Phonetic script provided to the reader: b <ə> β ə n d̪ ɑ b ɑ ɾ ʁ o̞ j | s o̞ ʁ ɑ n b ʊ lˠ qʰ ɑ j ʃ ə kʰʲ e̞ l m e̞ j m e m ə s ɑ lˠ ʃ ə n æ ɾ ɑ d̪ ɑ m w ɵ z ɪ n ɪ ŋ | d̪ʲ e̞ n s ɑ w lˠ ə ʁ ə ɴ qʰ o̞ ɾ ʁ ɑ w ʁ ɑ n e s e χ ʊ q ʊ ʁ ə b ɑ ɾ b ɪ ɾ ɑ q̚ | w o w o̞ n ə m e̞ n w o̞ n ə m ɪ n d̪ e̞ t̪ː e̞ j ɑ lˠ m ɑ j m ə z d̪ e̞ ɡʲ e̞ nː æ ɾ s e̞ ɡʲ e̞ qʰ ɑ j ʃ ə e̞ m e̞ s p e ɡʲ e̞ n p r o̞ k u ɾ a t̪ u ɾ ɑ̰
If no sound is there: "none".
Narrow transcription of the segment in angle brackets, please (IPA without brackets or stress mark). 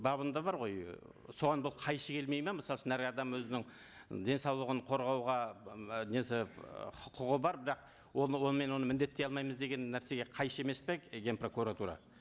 ɑ